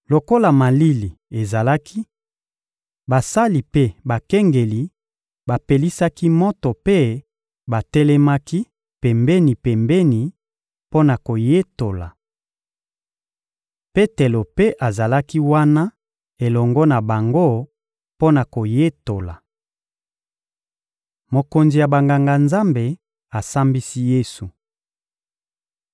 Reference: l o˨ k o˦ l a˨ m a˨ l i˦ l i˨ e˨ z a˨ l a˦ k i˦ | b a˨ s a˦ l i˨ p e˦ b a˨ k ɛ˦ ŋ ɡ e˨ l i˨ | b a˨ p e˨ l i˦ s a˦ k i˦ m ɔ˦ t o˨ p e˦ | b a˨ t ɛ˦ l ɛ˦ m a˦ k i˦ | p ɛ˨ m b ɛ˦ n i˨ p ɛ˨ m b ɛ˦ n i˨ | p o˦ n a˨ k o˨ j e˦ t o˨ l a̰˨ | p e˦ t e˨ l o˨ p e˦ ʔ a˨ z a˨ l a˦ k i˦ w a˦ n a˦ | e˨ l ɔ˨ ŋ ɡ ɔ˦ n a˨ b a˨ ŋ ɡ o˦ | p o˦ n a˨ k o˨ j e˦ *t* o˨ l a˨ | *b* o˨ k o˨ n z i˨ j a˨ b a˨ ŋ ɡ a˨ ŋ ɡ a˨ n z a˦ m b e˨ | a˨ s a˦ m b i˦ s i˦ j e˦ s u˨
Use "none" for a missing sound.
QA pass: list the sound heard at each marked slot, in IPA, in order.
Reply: t, m

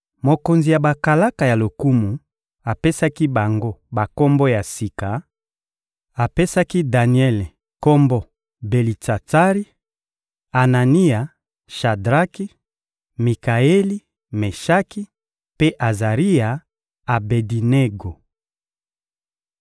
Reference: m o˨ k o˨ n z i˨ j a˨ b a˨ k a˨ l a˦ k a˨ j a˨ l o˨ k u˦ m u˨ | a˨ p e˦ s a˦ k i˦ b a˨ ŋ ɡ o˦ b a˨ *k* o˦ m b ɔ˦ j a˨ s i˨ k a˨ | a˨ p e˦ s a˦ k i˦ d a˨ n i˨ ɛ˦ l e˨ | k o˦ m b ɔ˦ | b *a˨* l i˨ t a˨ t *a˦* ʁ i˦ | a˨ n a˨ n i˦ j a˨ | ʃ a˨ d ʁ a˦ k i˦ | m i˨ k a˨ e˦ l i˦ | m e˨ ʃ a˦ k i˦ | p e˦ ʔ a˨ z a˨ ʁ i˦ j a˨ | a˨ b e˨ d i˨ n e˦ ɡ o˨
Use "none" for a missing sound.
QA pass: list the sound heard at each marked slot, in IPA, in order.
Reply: k, e˨, a˦

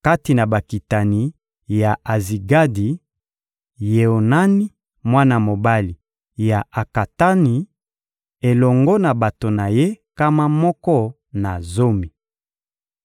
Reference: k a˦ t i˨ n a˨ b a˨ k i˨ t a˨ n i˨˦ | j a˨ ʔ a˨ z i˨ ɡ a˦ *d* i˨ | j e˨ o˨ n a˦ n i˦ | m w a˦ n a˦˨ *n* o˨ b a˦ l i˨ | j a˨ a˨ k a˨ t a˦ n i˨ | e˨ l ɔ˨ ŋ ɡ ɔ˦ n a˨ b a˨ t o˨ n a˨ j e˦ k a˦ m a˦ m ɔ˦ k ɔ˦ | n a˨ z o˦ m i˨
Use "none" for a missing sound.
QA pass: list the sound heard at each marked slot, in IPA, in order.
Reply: d, m

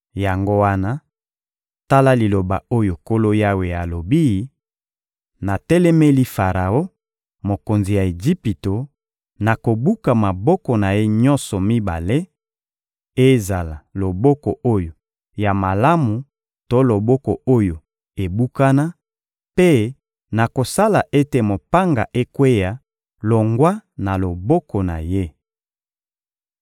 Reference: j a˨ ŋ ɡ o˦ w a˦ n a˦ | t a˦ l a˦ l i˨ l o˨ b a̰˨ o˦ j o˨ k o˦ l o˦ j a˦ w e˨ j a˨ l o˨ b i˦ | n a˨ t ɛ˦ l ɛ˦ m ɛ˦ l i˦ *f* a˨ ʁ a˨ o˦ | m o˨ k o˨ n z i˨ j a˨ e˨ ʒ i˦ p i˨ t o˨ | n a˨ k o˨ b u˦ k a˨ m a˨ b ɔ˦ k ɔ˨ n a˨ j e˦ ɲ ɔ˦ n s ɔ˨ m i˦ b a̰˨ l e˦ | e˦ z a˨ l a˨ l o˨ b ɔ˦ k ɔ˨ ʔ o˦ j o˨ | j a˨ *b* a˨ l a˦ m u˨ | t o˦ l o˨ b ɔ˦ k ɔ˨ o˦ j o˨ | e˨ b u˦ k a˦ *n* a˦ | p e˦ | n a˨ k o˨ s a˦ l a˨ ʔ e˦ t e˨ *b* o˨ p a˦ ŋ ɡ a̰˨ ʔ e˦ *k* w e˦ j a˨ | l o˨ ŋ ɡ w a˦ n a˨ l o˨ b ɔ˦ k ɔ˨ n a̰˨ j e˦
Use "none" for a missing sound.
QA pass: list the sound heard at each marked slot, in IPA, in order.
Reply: f, m, n, m, k

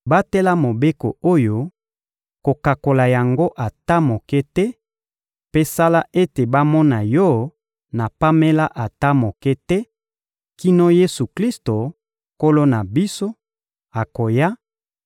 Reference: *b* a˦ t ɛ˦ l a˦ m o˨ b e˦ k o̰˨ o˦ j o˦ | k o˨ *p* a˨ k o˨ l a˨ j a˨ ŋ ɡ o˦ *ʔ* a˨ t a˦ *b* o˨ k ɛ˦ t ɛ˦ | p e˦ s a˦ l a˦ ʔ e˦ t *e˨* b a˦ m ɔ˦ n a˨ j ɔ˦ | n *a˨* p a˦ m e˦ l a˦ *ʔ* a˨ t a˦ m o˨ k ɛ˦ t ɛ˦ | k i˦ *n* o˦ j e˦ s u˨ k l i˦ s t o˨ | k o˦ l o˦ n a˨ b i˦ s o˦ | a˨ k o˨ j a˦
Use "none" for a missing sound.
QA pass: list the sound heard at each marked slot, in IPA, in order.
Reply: b, k, ʔ, m, e˨, a˨, ʔ, n

